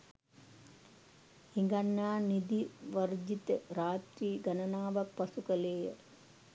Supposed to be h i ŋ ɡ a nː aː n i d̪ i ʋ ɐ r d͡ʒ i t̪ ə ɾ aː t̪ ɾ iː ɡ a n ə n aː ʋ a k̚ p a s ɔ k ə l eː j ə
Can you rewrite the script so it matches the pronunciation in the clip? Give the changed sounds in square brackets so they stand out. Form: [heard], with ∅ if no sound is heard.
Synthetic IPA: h i ŋ ɡ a nː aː n i d̪ i ʋ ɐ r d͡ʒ i t̪ ə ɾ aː t̪ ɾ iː ɡ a n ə n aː ʋ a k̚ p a s [u] k ə l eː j ə